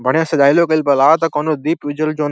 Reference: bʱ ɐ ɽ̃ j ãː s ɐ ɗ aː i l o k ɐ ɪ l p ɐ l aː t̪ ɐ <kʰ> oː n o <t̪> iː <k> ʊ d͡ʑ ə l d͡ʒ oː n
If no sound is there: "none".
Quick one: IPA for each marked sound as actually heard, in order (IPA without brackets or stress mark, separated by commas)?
k, d̪, p